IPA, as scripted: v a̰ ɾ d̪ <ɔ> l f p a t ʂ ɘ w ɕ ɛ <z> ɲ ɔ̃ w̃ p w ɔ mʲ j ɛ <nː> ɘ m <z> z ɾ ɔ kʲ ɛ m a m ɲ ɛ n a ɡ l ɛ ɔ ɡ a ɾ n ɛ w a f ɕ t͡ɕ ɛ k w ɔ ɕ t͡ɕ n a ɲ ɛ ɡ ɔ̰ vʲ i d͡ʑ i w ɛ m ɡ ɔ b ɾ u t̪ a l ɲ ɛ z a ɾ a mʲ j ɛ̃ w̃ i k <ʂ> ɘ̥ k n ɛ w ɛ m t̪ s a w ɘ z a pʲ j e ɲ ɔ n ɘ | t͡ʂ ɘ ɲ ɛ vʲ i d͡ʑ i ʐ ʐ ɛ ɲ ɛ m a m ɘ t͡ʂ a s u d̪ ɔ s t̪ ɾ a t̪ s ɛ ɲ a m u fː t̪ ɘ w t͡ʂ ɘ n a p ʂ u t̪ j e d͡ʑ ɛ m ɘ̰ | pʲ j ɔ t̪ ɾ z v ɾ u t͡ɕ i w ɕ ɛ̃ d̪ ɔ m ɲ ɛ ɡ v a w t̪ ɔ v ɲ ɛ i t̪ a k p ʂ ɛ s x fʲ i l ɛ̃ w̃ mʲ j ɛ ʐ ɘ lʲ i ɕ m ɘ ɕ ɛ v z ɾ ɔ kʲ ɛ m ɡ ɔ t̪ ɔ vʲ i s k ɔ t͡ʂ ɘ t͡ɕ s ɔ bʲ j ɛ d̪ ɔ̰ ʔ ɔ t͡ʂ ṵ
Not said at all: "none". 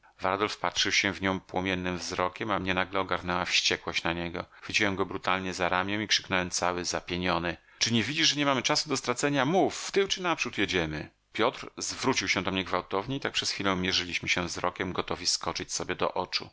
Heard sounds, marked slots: ɔ, v, nː, v, ʂ

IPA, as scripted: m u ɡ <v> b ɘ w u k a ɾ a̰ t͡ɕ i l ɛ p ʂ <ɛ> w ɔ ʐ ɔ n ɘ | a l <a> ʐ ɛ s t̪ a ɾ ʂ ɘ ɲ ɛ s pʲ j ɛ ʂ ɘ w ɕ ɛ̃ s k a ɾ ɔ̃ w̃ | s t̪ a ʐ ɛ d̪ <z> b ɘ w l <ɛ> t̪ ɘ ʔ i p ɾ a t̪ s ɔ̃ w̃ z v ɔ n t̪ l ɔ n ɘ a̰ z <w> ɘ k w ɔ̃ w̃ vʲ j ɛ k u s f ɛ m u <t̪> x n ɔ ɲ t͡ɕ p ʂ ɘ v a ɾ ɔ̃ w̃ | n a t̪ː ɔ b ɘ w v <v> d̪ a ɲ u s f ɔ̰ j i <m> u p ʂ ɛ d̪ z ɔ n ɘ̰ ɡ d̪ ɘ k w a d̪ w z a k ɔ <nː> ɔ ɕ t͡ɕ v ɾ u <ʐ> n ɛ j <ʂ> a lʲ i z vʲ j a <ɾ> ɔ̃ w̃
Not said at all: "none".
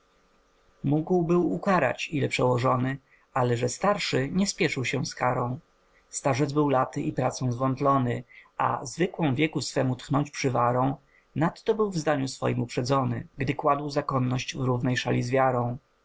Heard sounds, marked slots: w, ɛ, ɛ, z, a, v, t̪, z, m, nː, v, ʂ, ɾ

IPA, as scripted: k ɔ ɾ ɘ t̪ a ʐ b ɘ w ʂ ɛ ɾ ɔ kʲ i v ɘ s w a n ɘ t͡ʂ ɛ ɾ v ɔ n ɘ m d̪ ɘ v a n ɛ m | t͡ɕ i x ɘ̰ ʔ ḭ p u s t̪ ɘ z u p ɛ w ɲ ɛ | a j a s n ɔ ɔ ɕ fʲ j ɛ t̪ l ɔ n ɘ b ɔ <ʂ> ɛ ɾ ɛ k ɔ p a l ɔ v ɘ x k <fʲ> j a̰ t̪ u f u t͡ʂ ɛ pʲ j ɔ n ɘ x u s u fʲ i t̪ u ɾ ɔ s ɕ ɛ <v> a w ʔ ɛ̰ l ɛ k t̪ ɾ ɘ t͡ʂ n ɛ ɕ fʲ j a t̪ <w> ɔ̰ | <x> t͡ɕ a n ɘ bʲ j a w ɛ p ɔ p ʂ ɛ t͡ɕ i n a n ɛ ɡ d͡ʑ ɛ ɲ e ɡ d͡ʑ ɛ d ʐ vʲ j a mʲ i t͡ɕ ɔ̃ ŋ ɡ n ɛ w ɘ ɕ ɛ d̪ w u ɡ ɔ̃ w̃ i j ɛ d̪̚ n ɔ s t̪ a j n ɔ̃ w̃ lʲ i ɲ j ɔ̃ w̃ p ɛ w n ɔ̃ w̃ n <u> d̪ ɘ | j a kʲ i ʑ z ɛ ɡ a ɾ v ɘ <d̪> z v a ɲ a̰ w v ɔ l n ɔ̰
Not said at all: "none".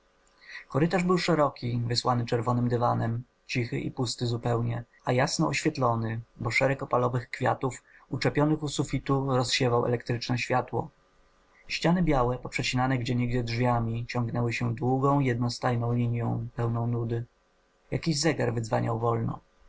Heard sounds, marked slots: ʂ, fʲ, v, w, ɕ, u, d̪

